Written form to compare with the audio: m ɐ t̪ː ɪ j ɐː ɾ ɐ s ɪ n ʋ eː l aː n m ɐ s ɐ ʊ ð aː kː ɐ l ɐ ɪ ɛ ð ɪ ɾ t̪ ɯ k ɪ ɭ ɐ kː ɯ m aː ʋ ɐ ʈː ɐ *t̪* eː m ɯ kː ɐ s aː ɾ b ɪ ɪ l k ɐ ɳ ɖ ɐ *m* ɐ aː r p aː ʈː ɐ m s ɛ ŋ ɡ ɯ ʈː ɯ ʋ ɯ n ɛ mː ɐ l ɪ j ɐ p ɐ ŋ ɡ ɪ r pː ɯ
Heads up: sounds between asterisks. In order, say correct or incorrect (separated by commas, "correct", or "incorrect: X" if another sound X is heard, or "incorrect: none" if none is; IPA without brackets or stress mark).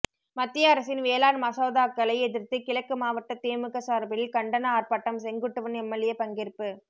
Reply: correct, incorrect: n